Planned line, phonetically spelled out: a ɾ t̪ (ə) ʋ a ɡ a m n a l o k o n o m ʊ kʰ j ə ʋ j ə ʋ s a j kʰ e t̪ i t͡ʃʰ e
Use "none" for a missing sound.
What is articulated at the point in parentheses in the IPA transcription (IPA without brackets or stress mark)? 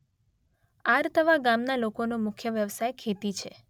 ə